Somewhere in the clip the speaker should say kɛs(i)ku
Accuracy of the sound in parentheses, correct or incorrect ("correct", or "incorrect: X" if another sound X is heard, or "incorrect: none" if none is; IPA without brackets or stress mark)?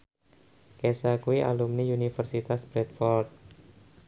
incorrect: a